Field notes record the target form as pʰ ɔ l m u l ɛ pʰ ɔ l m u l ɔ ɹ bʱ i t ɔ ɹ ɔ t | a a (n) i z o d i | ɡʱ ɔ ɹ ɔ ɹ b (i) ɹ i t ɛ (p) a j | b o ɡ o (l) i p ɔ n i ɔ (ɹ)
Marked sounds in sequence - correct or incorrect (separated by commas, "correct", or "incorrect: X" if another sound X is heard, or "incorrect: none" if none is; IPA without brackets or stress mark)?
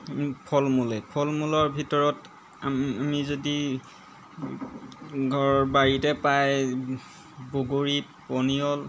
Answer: incorrect: m, incorrect: a, correct, incorrect: ɹ, incorrect: l